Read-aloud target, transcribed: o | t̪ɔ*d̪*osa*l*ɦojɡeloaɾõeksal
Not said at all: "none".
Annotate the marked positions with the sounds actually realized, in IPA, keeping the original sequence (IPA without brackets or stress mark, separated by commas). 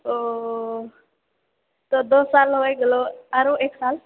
d̪, l